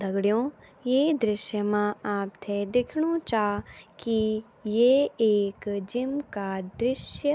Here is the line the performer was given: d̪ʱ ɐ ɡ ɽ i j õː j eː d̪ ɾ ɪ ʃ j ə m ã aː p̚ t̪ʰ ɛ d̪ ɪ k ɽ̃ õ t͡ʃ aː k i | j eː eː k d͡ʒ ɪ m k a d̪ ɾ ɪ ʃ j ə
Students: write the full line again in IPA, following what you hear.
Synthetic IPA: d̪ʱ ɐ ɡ ɽ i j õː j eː d̪ ɾ ɪ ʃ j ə m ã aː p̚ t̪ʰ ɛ d̪ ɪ kʰ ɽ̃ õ t͡ʃ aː k i | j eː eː k d͡ʒ ɪ m k a d̪ ɾ ɪ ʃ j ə